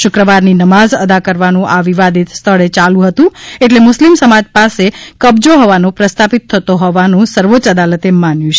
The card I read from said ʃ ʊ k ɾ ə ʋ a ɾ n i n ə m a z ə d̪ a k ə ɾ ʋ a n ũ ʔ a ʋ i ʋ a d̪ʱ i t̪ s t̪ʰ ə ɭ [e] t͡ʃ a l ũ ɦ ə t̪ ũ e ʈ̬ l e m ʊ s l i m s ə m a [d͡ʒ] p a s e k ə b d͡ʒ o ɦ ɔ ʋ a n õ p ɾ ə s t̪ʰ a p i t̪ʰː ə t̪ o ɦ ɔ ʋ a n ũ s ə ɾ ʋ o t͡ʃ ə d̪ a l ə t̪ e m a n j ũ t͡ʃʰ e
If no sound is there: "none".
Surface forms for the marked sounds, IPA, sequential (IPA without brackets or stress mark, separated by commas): e, d͡ʒ